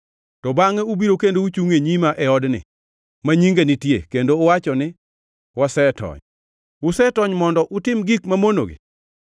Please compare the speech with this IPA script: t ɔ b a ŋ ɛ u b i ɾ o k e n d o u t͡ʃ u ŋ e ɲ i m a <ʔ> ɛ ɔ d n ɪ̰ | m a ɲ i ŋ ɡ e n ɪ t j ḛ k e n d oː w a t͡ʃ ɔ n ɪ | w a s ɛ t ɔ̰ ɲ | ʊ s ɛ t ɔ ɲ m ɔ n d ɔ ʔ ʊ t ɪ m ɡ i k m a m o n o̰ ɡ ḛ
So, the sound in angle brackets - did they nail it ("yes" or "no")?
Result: yes